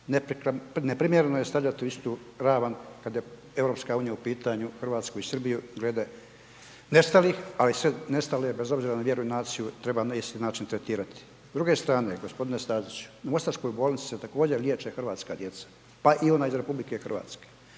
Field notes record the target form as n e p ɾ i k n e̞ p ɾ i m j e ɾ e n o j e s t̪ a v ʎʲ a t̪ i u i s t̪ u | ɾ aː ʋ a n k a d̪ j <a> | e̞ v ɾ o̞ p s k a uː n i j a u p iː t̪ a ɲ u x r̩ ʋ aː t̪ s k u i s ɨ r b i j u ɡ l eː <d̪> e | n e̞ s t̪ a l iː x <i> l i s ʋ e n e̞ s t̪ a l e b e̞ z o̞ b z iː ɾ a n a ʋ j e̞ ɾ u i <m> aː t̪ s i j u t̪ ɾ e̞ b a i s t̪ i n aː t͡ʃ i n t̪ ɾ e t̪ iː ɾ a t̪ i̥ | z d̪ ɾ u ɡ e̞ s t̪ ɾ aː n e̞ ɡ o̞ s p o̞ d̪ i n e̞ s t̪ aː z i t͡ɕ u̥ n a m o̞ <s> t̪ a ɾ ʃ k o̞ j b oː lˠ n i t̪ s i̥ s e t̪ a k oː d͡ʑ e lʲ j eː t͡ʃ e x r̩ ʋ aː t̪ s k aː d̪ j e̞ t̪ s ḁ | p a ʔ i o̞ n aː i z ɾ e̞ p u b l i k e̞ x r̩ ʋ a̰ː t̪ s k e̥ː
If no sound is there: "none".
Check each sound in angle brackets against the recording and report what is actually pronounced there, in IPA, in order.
e, d̪, a, n, s

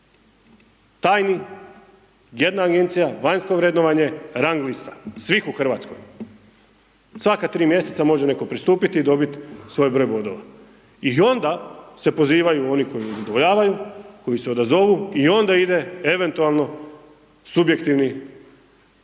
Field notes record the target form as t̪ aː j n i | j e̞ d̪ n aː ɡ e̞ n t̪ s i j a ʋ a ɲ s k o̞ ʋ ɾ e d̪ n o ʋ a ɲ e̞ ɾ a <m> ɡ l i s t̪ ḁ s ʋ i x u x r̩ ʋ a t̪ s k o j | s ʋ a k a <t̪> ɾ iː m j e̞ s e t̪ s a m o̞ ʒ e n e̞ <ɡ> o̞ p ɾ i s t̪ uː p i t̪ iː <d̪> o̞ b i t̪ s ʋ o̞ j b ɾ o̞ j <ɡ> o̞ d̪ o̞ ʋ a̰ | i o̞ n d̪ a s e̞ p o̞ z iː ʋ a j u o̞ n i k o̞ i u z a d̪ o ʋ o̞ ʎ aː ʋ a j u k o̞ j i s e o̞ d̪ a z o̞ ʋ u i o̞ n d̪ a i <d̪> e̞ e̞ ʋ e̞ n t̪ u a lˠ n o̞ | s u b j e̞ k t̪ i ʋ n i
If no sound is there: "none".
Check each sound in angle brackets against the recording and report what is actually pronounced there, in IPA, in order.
ŋ, t̪, k, d̪, b, d̪

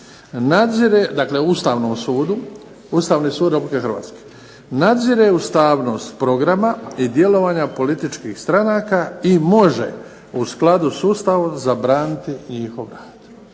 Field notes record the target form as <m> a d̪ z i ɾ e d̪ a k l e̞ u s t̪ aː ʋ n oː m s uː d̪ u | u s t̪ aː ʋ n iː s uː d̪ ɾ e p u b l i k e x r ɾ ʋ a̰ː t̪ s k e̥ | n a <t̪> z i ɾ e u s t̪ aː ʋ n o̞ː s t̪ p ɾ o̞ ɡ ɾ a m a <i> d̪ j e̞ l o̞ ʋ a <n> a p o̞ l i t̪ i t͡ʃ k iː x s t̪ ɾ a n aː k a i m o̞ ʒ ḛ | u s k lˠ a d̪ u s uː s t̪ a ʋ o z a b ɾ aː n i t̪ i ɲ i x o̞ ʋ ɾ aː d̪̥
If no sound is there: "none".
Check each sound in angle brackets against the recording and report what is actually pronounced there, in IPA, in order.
n, d̪, i, ɲ

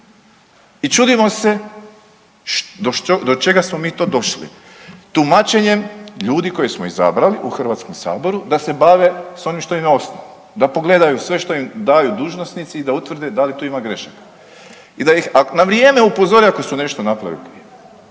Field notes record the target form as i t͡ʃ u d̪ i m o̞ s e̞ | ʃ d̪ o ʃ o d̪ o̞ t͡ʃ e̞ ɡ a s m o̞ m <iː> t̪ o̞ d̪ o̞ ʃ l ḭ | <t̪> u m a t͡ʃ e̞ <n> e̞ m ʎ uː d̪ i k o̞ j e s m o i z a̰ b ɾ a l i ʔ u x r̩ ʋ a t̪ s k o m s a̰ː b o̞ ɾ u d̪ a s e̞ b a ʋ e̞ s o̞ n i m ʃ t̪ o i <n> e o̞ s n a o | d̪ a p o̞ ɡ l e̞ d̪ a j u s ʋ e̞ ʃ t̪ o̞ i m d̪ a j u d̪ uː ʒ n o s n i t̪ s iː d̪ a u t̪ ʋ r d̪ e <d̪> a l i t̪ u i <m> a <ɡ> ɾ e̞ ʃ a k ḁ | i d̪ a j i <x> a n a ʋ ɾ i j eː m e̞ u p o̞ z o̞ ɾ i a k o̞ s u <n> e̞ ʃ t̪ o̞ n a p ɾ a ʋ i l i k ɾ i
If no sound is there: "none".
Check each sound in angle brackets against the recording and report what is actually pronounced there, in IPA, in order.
iː, t̪, ɲ, m, d̪, m, ɡ, x, n

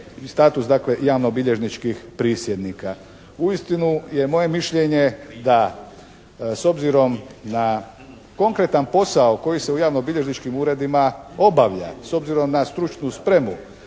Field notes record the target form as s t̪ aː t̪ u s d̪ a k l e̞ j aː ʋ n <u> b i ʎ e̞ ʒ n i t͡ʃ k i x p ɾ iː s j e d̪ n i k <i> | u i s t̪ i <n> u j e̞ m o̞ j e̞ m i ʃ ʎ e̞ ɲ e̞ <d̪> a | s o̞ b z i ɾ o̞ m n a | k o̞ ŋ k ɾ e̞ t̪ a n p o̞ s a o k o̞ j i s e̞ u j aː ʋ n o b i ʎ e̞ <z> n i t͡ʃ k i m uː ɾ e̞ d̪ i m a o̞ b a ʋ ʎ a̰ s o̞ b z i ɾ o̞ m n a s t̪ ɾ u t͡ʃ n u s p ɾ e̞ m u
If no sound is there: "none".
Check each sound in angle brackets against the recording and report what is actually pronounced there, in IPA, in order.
o, a, n, d̪, ʒ

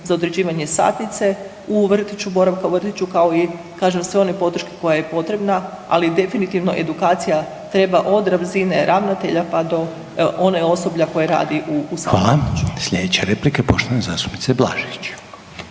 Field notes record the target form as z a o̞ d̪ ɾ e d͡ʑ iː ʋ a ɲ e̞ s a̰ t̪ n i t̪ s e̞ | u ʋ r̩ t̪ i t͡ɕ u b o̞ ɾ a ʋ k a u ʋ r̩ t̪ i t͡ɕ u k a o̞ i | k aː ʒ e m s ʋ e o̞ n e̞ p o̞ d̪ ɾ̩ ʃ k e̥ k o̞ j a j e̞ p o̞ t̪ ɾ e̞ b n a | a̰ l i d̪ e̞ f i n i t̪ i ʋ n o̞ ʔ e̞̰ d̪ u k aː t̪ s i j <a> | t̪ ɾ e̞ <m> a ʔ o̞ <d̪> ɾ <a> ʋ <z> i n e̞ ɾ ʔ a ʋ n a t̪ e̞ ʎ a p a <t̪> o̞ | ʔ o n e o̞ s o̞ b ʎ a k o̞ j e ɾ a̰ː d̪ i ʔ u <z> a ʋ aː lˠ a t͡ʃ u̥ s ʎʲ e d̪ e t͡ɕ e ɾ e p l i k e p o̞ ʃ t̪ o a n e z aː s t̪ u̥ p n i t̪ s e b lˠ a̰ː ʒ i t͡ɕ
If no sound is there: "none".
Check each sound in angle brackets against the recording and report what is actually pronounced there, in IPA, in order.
a, b, d̪, a, z, d̪, s

